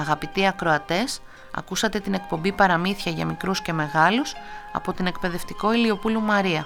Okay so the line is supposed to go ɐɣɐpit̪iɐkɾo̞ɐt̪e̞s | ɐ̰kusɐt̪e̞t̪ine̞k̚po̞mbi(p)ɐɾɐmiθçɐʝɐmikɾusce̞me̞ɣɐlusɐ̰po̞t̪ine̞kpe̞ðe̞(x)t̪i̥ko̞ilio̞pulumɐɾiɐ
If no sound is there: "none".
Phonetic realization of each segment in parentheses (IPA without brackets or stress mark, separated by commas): p, f